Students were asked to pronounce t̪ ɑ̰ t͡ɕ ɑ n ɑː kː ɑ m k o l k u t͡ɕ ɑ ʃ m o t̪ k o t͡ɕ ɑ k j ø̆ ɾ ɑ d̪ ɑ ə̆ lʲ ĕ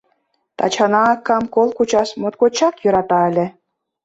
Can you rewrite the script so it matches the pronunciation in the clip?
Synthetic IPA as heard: t̪ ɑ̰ t͡ɕ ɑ n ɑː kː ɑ m k o l k u t͡ɕ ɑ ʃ m o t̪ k o t͡ɕ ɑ k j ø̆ ɾ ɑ t̪ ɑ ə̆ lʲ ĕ